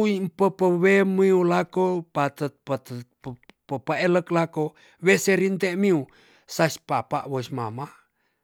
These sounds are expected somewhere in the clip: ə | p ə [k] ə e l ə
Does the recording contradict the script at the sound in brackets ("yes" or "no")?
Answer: yes